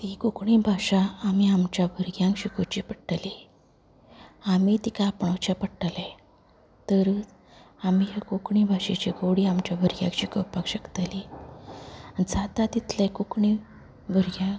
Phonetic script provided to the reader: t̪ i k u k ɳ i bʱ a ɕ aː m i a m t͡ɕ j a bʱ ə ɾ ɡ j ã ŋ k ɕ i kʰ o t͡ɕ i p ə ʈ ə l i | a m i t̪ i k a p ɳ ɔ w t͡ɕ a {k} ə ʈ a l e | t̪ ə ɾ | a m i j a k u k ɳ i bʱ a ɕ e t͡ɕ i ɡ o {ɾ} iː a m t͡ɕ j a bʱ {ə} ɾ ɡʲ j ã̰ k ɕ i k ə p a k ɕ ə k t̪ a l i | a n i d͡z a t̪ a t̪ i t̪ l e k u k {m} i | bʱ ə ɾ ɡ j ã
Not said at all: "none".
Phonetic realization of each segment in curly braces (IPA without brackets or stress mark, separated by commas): p, ɽ, ə, ɳ